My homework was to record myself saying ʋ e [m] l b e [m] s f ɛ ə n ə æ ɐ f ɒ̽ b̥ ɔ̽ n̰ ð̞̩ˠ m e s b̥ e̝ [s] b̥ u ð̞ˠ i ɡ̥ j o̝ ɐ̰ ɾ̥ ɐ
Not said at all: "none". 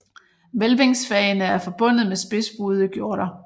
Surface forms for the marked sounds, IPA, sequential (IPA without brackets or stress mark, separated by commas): none, ŋ, s